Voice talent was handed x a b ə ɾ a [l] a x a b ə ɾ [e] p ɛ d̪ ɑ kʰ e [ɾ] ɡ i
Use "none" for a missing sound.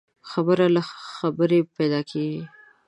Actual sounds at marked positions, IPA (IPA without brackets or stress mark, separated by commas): l, e, none